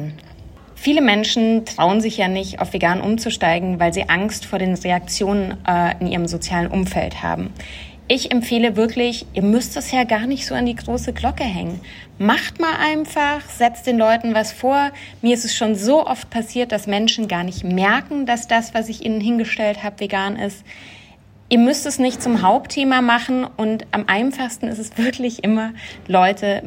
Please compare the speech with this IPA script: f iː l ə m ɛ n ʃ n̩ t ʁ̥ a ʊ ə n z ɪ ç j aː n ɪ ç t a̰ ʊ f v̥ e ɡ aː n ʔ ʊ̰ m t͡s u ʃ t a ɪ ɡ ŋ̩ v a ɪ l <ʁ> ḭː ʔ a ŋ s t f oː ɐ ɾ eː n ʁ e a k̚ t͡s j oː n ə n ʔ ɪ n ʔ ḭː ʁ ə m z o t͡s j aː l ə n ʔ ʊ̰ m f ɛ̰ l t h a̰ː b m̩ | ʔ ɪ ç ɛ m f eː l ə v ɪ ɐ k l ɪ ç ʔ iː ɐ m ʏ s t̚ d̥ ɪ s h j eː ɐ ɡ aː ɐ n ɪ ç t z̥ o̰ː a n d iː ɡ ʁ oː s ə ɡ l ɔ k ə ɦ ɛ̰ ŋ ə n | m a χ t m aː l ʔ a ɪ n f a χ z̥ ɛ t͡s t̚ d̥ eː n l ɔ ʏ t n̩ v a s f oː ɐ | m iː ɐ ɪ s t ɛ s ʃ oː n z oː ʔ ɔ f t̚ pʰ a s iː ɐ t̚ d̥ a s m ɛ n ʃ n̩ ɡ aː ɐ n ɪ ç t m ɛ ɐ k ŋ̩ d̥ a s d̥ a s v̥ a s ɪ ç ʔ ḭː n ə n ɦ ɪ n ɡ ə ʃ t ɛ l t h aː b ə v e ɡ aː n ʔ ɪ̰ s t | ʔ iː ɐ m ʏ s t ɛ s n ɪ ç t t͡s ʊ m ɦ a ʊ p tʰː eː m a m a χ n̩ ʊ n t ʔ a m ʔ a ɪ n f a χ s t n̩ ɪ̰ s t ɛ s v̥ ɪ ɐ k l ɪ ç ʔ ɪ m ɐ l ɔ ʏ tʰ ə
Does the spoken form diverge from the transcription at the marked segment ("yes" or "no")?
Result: yes